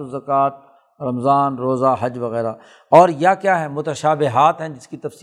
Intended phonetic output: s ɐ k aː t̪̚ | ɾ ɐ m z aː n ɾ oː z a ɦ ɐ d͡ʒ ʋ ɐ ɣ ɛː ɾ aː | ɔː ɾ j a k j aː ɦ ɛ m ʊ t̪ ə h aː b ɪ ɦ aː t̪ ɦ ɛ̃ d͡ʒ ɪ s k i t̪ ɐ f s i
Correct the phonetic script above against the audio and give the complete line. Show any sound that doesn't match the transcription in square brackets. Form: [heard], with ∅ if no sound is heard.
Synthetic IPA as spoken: [z] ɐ k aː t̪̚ | ɾ ɐ m z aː n ɾ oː z a ɦ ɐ d͡ʒ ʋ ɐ ɣ ɛː ɾ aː | ɔː ɾ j a k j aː ɦ ɛ m ʊ t̪ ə [ʃ] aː b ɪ ɦ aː t̪ ɦ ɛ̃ d͡ʒ ɪ s k i t̪ ɐ f s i